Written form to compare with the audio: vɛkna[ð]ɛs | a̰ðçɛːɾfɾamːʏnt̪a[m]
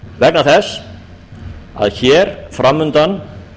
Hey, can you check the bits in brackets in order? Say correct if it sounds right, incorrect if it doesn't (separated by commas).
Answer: incorrect, incorrect